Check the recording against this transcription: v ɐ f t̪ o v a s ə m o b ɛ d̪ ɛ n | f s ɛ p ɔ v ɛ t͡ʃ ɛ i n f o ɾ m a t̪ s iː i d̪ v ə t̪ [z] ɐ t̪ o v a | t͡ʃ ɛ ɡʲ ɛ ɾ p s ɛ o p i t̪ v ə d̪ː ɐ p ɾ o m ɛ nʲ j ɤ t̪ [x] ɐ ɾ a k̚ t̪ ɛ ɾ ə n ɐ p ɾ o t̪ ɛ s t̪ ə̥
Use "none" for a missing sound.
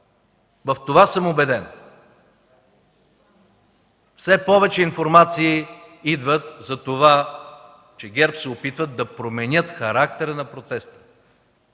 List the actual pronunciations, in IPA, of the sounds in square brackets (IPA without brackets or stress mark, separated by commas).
z, x